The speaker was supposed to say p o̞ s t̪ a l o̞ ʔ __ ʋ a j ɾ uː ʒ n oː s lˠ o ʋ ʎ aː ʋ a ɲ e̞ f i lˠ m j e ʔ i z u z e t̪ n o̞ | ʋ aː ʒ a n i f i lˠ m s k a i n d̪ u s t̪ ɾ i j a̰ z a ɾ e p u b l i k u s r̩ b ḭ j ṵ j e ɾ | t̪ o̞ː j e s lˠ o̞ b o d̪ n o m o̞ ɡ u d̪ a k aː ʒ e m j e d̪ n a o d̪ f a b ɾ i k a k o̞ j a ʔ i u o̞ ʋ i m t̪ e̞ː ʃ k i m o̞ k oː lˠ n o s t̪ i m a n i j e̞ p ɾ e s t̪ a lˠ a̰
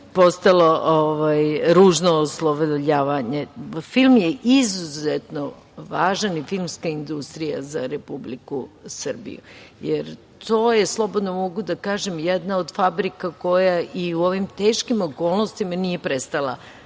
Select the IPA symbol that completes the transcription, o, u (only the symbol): o